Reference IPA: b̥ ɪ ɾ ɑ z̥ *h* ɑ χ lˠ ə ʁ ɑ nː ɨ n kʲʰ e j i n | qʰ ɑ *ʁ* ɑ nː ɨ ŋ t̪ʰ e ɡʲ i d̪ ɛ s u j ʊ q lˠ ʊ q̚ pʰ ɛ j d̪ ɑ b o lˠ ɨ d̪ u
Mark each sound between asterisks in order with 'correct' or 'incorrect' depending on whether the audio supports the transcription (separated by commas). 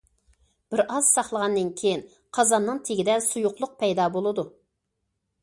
incorrect, incorrect